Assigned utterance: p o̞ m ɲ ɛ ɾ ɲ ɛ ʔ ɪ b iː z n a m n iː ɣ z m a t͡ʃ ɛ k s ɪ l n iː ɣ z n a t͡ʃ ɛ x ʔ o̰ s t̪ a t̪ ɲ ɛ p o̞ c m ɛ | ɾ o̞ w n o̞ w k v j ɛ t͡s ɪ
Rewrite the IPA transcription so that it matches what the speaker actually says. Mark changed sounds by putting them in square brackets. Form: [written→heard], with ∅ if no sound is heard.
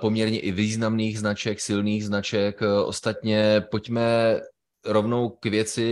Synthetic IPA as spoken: p o̞ m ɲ ɛ ɾ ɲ ɛ ʔ ɪ [b→v] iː z n a m n iː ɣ z [m→n] a t͡ʃ ɛ k s ɪ l n iː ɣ z n a t͡ʃ ɛ [x→k] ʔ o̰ s t̪ a t̪ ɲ ɛ p o̞ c m ɛ | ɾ o̞ [w→v] n o̞ w k v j ɛ t͡s ɪ